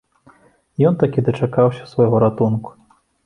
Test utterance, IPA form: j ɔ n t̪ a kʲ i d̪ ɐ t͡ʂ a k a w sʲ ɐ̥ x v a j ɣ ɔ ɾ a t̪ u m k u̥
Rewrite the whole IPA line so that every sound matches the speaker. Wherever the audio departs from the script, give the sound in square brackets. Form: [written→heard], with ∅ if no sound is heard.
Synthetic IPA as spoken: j ɔ n t̪ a kʲ i d̪ ɐ t͡ʂ a k a w sʲ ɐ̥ [x→s] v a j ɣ ɔ ɾ a t̪ u [m→n] k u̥